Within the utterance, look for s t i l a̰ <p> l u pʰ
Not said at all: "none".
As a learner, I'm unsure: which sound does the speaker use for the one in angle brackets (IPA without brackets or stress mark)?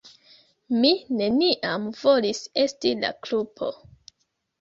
k